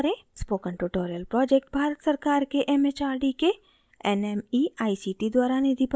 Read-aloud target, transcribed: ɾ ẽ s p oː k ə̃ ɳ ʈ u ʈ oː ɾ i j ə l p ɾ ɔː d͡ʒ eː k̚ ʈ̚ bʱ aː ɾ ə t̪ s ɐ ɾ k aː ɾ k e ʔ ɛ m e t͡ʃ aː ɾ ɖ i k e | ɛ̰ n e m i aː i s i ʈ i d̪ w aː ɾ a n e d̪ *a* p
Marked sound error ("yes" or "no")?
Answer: yes